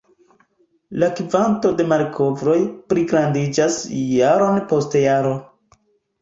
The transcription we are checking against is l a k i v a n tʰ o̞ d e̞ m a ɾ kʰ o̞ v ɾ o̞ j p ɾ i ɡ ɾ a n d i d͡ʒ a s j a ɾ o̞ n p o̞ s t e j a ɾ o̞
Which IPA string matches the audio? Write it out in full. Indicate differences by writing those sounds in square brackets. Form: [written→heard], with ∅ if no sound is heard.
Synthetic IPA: l a k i v a n [tʰ→t] o̞ d e̞ m a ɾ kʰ o̞ v ɾ o̞ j p ɾ i ɡ ɾ a n d i d͡ʒ a s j a ɾ o̞ n p o̞ s t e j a ɾ o̞